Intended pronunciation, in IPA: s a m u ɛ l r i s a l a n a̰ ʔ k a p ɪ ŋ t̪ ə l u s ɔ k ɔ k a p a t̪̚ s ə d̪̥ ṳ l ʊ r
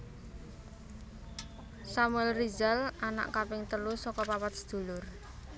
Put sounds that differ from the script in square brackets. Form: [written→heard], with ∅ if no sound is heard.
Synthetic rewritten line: s a m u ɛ l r i [s→z] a l a n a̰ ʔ k a p ɪ ŋ t̪ ə l u s ɔ k ɔ [k→p] a p a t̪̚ s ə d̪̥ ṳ l ʊ r

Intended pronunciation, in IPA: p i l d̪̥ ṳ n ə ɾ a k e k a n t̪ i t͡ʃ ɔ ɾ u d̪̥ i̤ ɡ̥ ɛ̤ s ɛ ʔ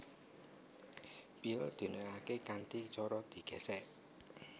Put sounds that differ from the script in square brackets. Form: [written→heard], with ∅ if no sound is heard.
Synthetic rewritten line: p i l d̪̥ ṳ n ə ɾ a k e k a n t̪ i t͡ʃ ɔ ɾ [u→ɔ] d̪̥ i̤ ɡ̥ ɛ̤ s ɛ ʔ

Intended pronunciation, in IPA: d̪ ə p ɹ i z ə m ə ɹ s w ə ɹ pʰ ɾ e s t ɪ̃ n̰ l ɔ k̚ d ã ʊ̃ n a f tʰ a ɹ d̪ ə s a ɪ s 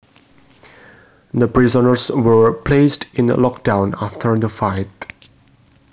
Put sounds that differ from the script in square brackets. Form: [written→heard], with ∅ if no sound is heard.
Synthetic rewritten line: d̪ ə p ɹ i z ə [m→n] ə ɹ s w ə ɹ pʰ [ɾ→l] e s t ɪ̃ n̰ l ɔ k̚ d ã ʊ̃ n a f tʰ [a→ə] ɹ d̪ ə [s→f] a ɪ [s→t]

